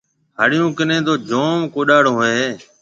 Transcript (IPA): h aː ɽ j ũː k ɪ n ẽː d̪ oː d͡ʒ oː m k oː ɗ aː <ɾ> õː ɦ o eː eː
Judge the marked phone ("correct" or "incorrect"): incorrect